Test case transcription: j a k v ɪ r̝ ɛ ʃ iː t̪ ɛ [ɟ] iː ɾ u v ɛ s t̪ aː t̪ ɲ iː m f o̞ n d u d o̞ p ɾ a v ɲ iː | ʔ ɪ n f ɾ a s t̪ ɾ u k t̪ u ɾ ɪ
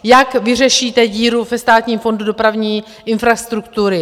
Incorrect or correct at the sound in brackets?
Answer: correct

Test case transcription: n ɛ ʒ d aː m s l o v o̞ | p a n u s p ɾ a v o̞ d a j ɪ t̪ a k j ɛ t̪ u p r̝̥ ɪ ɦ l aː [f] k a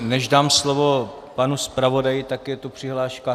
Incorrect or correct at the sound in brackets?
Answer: incorrect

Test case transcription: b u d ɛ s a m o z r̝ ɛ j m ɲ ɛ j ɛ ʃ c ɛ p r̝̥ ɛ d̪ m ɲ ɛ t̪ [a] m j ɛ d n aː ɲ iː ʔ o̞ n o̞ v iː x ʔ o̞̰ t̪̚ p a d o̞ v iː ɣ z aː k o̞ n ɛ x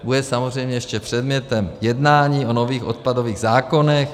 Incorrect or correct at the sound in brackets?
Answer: incorrect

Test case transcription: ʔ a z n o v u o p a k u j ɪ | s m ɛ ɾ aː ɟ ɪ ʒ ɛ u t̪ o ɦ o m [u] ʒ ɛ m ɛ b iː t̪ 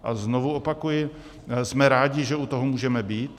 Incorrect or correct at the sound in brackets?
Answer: incorrect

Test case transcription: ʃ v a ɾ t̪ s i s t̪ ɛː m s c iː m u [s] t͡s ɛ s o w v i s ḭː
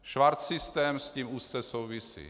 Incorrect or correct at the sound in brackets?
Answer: correct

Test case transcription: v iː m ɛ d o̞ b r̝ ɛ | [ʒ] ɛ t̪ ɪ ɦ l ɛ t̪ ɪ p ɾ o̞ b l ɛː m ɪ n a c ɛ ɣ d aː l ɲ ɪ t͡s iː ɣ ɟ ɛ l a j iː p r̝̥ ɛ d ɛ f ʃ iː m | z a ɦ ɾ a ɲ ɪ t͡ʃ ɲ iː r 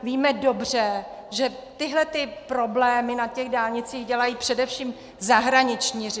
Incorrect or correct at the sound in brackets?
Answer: correct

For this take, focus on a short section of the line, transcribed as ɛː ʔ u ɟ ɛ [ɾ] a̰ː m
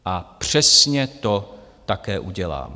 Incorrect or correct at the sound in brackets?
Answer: incorrect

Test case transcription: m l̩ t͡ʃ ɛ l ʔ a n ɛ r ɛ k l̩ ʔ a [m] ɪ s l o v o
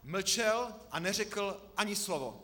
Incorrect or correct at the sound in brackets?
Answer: incorrect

